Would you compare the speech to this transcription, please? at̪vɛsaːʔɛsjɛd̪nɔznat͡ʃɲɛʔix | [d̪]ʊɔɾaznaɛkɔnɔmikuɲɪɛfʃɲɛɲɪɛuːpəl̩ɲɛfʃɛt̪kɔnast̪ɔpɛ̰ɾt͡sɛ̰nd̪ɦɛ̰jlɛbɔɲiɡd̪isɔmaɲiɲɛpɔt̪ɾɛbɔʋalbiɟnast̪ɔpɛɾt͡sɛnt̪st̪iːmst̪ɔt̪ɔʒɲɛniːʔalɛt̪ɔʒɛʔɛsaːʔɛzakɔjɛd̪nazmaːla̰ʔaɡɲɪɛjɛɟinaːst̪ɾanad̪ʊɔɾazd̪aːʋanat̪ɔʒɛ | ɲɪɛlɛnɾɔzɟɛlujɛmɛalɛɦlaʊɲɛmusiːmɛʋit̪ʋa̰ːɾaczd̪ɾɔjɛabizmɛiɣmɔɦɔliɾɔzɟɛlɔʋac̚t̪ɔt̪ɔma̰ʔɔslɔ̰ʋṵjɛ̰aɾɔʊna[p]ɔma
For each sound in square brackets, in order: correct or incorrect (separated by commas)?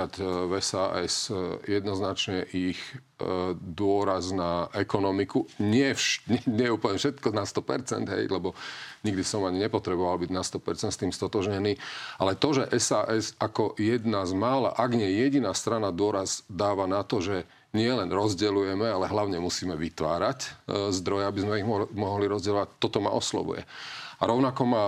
correct, incorrect